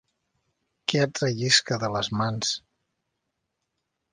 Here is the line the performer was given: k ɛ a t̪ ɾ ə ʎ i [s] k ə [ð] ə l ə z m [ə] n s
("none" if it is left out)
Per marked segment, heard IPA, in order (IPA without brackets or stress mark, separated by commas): s, ð, a